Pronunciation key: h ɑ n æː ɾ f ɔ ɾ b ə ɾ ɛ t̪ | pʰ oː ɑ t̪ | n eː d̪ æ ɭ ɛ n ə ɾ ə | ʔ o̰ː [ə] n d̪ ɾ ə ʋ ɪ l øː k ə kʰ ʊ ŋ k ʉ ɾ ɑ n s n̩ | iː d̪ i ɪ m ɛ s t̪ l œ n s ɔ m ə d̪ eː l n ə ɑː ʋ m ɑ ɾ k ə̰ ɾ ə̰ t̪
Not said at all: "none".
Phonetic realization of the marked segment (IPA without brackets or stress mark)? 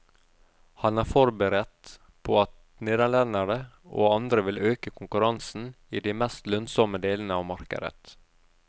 ɑ